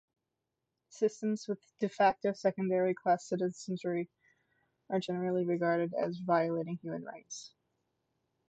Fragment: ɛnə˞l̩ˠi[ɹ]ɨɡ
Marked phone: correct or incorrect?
correct